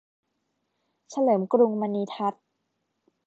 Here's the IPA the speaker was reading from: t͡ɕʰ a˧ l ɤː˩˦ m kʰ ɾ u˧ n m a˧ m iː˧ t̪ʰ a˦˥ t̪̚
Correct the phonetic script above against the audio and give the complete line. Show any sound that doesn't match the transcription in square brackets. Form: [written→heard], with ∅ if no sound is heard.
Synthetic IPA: t͡ɕʰ a˧ l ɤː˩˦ m [kʰ→k] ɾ u˧ [n→ŋ] m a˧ [m→n] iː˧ t̪ʰ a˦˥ t̪̚